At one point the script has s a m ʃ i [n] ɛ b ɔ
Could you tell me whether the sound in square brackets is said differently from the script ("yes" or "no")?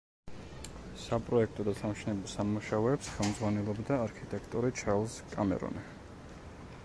no